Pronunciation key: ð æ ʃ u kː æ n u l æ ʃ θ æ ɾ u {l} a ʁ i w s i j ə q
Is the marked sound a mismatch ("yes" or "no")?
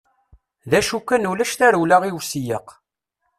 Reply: no